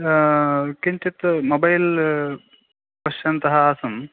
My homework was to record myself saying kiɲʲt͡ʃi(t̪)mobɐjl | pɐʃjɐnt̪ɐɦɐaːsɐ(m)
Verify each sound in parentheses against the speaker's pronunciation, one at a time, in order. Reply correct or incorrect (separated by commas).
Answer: correct, correct